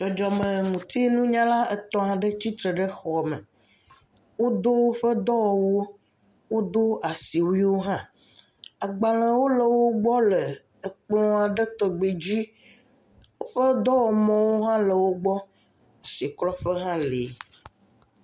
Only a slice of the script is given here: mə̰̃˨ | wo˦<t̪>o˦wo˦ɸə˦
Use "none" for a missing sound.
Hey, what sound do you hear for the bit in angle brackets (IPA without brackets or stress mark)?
d̪